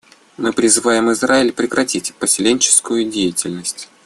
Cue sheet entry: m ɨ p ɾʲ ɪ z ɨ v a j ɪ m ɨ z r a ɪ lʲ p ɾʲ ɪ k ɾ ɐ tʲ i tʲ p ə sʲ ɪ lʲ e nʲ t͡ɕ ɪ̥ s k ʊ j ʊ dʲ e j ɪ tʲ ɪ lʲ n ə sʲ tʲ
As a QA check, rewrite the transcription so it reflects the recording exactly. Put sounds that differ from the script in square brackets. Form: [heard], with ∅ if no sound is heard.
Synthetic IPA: m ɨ p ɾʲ ɪ z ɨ v a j ɪ m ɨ z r a ɪ lʲ p ɾʲ ɪ k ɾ ɐ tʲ i tʲ p ə sʲ ɪ lʲ e nʲ t͡ɕ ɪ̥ s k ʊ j ʊ dʲ e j ɪ tʲ ɪ lʲ n ə sʲ tʲ